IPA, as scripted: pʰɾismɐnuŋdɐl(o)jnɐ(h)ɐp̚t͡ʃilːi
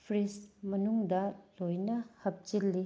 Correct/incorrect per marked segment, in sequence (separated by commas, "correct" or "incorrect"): correct, correct